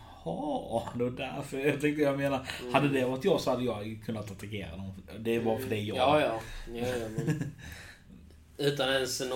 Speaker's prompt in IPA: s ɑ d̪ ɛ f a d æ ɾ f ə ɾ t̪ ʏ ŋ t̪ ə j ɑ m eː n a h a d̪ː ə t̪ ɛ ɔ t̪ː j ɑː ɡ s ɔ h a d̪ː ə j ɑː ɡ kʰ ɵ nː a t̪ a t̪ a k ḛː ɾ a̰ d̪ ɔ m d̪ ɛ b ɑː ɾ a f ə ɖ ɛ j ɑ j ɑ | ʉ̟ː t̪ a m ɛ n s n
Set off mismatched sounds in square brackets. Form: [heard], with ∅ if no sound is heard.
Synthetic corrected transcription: [h] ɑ d̪ ɛ [v] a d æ ɾ f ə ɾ t̪ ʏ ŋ t̪ ə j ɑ m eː n a h a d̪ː ə [d̪] ɛ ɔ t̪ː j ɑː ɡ s ɔ h a d̪ː ə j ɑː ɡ kʰ ɵ nː a t̪ a t̪ a k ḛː ɾ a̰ d̪ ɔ m d̪ ɛ b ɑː ɾ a f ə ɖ ɛ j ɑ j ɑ | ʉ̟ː t̪ a [n] ɛ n s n